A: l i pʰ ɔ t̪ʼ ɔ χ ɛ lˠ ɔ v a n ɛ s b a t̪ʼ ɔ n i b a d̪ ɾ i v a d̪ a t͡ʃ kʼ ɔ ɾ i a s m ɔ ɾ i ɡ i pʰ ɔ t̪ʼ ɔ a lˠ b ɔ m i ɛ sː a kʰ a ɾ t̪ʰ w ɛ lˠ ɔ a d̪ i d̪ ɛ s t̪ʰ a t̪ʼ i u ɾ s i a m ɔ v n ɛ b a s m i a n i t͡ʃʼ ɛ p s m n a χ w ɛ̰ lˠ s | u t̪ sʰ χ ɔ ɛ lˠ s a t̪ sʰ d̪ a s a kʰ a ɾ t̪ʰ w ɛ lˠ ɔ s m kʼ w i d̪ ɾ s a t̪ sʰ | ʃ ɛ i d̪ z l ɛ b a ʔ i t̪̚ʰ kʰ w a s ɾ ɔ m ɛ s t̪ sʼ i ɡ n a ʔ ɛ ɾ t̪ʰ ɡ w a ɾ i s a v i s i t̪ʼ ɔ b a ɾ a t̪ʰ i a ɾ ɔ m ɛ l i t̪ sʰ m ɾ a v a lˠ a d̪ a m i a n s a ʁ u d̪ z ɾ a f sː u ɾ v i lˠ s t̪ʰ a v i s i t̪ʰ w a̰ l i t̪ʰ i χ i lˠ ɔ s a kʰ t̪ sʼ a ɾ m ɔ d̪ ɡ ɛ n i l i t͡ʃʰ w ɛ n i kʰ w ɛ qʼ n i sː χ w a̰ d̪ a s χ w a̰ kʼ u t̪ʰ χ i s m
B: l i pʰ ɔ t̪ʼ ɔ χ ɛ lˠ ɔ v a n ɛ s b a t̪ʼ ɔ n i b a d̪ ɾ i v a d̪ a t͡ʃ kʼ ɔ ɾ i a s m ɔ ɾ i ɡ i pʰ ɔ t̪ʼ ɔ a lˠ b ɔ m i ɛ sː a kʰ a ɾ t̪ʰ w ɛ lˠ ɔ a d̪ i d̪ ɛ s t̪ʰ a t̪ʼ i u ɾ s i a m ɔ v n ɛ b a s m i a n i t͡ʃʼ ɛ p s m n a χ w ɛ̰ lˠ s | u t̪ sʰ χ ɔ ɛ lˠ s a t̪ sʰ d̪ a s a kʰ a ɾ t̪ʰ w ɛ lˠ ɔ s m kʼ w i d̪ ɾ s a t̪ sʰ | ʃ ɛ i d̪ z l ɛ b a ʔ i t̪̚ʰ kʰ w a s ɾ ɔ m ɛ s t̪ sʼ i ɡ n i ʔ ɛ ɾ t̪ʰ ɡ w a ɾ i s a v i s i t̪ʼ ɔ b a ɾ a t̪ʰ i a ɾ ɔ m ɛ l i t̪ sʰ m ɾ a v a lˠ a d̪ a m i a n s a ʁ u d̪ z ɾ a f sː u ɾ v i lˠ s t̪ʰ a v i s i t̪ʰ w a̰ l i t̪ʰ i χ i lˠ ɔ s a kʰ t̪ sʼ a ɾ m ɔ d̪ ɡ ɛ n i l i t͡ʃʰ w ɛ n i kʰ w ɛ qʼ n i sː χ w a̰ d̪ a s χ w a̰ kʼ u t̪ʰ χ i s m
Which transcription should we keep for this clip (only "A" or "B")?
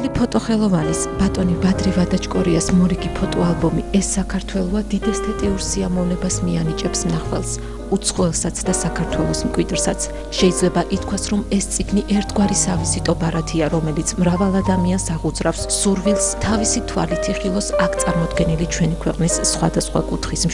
B